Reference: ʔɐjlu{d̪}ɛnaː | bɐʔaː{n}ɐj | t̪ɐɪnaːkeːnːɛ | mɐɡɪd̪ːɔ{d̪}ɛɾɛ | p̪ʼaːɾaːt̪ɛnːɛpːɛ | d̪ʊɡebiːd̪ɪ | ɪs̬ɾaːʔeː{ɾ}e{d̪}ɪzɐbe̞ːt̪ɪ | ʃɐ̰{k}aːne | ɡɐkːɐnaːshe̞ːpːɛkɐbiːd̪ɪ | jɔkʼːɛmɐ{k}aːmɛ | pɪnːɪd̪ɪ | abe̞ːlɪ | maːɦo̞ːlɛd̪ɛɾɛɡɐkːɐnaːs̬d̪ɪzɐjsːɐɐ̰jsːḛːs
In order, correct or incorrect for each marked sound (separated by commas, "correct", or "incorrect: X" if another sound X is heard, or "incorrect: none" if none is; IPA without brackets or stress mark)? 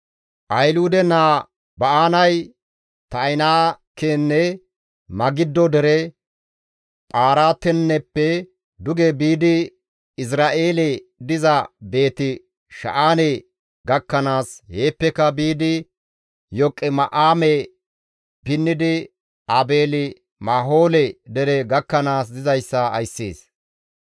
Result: correct, correct, correct, incorrect: l, correct, incorrect: ʔ, incorrect: ʔ